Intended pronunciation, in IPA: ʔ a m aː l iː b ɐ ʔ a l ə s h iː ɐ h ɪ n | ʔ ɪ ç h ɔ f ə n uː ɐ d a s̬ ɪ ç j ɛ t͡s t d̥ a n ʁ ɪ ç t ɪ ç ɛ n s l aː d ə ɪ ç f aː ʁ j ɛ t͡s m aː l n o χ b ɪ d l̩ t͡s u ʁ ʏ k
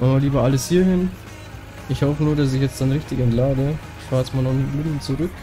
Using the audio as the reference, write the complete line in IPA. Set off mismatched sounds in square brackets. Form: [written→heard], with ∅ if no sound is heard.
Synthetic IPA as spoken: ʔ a m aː l iː b ɐ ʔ a l ə s h iː ɐ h ɪ n | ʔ ɪ ç h ɔ f ə n uː ɐ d a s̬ ɪ ç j ɛ t͡s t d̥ a n ʁ ɪ ç t ɪ ç ɛ n [s→t] l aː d ə ɪ ç f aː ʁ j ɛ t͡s m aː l n [o→ɔ] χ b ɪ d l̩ t͡s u ʁ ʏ k